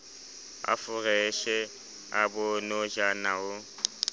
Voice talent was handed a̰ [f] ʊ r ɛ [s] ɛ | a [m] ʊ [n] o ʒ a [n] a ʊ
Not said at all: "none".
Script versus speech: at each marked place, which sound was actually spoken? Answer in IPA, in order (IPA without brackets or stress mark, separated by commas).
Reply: f, ʃ, b, n, n